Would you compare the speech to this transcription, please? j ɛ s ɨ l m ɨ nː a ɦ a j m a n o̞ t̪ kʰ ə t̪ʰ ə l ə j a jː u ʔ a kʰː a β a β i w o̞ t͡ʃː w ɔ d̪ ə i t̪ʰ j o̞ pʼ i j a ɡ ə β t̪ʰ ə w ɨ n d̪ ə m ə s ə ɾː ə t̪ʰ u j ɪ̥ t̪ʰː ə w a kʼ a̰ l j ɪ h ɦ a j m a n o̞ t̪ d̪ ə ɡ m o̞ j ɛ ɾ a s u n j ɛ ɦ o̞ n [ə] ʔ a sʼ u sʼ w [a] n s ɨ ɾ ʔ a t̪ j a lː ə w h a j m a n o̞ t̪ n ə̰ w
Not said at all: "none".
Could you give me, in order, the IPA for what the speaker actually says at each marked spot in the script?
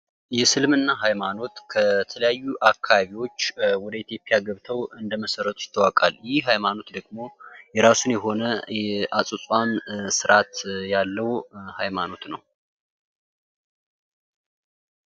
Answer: ə, a

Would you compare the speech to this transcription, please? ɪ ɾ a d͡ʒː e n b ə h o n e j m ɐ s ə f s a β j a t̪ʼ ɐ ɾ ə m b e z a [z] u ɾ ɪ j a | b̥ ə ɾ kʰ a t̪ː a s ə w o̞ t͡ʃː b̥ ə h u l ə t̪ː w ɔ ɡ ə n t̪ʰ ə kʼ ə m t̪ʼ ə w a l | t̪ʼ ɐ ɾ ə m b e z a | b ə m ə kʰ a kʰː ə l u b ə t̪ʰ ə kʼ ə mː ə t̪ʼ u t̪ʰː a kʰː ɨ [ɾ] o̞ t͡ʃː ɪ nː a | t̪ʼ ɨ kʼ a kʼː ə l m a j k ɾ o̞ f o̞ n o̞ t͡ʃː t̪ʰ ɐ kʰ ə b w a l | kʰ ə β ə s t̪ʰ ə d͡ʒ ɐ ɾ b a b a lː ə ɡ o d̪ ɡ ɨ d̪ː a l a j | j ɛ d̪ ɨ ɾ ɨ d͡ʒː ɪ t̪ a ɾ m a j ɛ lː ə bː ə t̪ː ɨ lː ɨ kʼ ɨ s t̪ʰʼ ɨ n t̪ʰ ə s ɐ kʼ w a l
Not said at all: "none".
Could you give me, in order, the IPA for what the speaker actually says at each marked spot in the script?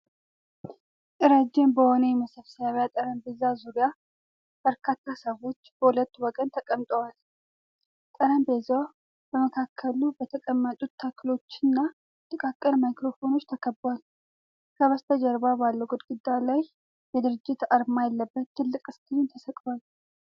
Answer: z, l

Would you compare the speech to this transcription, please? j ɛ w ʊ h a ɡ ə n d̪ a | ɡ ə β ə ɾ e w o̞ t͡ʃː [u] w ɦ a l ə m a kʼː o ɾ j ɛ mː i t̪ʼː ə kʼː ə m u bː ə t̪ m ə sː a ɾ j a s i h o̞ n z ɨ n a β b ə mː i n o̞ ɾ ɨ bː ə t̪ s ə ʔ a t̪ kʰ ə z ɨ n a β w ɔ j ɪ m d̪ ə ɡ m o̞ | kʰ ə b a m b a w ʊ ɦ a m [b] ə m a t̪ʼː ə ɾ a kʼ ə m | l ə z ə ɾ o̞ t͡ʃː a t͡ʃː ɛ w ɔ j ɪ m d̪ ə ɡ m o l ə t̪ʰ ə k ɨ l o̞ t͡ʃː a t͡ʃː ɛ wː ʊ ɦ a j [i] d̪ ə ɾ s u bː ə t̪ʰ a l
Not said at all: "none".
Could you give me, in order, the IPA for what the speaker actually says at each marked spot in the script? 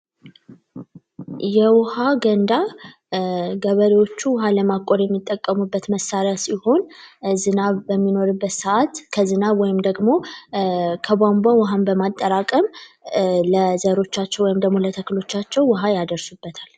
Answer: u, b, a

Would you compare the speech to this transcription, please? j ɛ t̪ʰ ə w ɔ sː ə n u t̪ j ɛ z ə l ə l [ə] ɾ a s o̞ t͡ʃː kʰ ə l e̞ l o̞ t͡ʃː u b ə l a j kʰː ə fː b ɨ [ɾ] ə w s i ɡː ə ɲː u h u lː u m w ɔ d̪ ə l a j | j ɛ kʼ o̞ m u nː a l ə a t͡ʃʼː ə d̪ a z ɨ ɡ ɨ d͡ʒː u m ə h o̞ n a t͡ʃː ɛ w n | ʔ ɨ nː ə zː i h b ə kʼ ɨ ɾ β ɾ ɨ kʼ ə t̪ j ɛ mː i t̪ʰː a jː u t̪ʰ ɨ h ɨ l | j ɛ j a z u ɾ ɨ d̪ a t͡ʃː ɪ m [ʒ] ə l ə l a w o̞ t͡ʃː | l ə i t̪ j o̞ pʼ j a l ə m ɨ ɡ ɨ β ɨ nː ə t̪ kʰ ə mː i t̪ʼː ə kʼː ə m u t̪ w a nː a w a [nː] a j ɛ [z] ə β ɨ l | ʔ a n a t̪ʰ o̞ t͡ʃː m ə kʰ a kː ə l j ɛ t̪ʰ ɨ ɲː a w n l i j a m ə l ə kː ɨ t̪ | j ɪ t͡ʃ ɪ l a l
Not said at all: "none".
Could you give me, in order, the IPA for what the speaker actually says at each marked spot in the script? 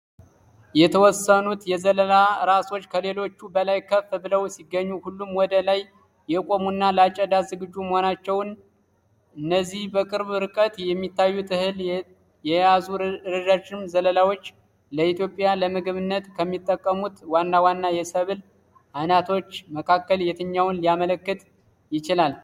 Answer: a, l, z, nː, s

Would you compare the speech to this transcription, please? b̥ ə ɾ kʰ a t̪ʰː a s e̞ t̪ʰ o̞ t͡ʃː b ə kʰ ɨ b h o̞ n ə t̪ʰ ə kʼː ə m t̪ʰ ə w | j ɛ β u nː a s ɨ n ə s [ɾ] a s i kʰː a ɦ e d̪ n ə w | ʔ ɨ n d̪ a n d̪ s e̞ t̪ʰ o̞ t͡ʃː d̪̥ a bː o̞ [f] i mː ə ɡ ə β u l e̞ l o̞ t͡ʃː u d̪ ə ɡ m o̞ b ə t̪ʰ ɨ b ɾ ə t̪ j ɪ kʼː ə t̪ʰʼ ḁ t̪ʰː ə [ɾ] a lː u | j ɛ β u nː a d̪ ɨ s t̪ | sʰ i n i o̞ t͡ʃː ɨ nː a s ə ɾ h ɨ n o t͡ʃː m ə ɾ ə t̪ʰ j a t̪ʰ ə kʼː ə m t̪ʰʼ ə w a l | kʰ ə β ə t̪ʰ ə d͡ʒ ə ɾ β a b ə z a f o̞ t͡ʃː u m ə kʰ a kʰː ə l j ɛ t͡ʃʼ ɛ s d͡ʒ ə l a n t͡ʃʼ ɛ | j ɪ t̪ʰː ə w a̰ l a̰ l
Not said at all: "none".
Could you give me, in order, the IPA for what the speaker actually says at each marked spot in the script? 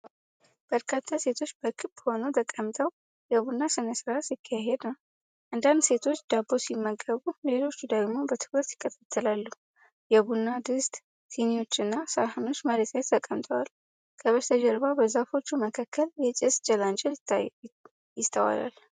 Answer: ɾ, s, l

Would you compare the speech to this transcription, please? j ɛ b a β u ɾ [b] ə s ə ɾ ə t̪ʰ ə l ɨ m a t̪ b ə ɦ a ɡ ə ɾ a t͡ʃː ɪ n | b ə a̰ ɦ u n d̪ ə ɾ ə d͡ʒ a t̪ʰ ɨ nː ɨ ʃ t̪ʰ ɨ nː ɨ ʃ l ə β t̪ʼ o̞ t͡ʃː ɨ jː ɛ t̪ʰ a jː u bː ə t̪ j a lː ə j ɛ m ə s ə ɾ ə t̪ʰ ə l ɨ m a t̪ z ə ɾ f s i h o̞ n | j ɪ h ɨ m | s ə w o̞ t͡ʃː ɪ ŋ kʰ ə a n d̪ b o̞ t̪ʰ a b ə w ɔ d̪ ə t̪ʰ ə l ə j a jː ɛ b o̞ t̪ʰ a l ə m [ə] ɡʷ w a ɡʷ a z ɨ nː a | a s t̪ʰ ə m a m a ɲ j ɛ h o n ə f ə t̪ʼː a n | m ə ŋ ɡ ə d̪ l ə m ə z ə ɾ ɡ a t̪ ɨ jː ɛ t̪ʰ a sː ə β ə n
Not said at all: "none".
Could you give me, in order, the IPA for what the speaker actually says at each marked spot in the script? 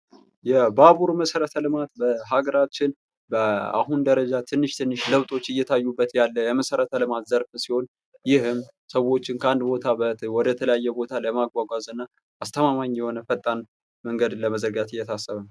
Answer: m, a

